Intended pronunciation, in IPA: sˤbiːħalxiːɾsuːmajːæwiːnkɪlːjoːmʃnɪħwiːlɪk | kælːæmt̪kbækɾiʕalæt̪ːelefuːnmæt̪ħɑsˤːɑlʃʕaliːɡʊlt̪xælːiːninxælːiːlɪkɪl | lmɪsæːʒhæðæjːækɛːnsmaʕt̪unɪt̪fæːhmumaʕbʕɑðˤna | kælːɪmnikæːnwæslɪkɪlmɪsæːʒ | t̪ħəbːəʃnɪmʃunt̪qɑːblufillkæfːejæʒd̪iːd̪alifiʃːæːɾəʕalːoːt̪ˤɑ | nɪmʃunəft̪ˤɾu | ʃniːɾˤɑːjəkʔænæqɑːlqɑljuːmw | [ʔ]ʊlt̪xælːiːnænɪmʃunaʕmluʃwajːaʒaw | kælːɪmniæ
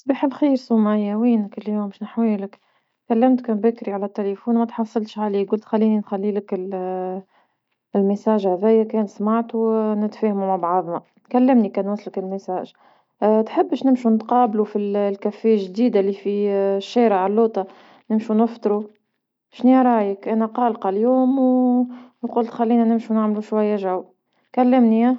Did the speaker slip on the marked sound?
yes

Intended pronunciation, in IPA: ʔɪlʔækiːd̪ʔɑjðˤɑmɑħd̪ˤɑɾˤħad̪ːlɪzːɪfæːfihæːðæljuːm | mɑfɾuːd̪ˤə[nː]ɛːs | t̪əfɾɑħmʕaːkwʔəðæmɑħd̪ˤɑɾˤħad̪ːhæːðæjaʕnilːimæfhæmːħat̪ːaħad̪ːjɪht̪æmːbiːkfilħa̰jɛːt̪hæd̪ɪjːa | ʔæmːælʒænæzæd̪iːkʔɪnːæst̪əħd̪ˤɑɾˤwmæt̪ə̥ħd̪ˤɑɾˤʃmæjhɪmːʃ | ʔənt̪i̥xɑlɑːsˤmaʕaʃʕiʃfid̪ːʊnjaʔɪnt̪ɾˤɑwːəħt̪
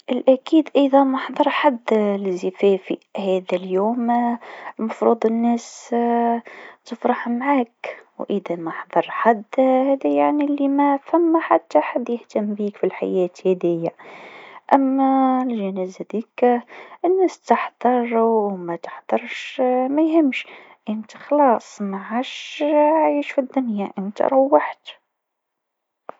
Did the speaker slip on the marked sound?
no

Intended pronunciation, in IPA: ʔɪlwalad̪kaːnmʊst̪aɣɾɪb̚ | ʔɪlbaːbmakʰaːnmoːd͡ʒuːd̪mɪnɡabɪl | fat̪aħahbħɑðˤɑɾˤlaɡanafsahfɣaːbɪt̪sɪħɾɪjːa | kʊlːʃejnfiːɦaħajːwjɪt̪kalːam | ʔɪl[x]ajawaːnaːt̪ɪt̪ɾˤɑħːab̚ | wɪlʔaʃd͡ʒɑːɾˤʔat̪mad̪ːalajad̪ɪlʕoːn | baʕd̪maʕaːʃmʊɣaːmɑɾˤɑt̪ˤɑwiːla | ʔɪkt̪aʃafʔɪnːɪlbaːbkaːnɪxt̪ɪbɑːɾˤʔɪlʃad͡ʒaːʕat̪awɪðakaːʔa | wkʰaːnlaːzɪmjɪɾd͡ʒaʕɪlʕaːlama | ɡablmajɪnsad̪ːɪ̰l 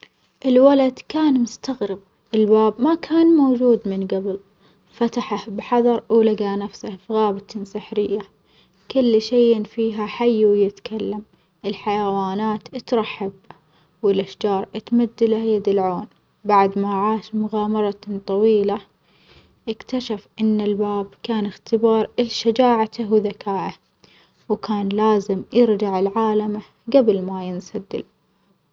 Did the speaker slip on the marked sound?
yes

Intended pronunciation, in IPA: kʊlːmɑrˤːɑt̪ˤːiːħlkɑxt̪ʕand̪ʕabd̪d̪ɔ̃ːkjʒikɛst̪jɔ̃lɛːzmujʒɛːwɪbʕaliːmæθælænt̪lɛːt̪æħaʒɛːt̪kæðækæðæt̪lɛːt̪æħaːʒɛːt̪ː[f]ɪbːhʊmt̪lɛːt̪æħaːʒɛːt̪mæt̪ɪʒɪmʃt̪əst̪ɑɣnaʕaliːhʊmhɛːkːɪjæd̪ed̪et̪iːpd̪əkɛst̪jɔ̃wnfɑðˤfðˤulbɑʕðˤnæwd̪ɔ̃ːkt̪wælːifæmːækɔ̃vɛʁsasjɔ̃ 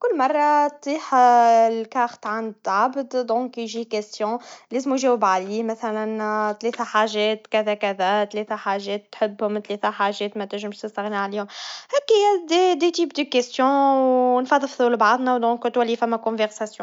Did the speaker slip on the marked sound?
yes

